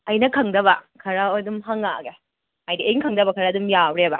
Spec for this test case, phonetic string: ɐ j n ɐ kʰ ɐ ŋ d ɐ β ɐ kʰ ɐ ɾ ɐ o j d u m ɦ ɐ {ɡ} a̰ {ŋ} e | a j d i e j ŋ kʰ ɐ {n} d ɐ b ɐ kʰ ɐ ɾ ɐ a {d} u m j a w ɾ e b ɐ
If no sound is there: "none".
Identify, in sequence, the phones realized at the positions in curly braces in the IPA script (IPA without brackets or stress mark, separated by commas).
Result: ŋ, ɡ, ŋ, d